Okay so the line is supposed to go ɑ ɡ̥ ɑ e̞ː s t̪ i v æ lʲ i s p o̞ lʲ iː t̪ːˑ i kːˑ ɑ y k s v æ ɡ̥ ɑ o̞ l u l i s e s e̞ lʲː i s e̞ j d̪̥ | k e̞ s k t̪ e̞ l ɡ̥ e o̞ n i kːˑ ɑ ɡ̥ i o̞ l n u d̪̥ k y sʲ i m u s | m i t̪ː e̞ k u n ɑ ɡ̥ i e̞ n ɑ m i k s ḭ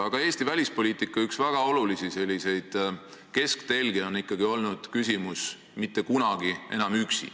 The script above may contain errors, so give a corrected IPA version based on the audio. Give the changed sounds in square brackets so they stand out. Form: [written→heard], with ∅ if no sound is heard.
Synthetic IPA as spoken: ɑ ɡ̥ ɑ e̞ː s t̪ i v æ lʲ i s p o̞ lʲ iː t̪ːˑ i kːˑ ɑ y k s v æ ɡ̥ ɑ o̞ l u l i s [e→i] s e̞ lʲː i s e̞ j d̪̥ | k e̞ s k t̪ e̞ l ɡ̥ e o̞ n i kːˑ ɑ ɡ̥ i o̞ l n u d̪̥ k y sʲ i m u s | m i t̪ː e̞ k u n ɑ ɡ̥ i e̞ n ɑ m [i→y] k s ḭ